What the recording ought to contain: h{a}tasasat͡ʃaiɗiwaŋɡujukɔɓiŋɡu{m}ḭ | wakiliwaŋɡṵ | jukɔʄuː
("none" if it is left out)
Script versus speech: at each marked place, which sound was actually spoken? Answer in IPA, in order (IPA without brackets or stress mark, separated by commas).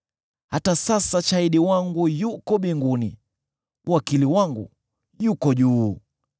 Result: a, n